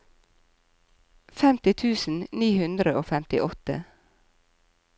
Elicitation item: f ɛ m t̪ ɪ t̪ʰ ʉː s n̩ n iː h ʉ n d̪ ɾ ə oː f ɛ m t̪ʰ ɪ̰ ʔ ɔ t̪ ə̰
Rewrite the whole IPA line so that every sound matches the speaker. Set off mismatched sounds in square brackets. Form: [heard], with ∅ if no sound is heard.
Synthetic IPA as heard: f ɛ m t̪ ɪ t̪ʰ ʉː s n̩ n iː h ʉ n d̪ ɾ ə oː f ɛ m [t̪] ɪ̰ ʔ ɔ t̪ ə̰